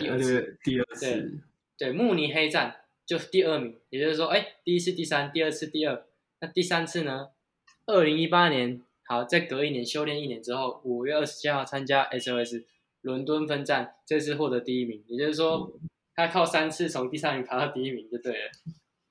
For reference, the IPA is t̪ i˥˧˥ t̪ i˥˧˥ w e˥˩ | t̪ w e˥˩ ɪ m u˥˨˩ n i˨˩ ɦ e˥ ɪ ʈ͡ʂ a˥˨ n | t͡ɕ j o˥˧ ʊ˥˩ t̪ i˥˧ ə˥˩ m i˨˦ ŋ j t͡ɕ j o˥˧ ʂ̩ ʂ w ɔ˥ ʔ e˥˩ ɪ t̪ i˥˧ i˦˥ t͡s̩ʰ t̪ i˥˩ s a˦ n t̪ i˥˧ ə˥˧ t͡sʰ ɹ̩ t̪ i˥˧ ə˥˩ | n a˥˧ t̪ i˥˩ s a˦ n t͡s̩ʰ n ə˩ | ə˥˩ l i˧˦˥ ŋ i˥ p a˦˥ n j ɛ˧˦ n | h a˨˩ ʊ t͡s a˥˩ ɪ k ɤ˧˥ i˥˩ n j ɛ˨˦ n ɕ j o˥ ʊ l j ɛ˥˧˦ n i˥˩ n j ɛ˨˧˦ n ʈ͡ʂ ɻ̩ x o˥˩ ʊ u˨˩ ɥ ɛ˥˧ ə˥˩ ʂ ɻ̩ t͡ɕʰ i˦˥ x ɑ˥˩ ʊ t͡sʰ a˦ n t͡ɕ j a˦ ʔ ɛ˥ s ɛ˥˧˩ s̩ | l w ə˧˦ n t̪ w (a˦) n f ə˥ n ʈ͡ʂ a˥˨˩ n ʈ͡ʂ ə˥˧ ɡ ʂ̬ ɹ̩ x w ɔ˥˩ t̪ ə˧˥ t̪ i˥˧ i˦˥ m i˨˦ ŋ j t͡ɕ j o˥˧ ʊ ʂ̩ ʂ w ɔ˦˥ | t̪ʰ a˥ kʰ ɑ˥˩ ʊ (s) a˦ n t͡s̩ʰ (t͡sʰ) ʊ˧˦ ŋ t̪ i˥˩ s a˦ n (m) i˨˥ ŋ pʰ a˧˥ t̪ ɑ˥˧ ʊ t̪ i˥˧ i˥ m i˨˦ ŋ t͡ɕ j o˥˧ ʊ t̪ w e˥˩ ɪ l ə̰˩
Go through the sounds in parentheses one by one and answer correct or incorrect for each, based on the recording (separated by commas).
incorrect, correct, correct, correct